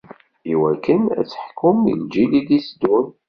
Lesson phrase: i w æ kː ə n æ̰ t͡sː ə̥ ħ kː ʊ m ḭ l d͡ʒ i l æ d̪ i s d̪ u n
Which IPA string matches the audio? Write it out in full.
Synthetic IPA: i w æ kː ə n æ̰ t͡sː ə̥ ħ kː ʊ m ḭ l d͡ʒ i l i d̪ i s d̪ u n